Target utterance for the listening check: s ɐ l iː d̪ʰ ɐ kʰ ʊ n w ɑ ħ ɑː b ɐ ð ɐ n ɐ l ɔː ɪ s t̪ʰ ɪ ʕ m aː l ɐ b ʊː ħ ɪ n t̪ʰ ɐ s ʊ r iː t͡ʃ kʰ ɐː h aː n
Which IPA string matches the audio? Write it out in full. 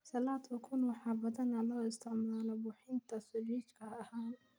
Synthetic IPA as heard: s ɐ l aː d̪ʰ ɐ kʰ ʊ n w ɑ ħ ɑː b ɐ ð ɐ n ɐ l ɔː ɪ s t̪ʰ ɪ ʕ m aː l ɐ b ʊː ħ ɪ n t̪ʰ ɐ s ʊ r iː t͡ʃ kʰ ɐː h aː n